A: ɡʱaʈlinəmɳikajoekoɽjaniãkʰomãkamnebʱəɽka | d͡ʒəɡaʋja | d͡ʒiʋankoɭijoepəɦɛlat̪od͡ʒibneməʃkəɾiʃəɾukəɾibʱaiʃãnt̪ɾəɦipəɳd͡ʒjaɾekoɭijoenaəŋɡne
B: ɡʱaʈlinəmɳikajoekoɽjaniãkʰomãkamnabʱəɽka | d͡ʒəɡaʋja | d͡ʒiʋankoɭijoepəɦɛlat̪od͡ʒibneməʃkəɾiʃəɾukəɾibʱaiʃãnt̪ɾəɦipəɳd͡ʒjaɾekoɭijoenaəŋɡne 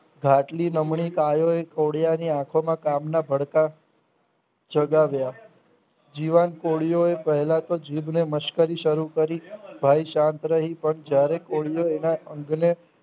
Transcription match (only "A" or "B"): B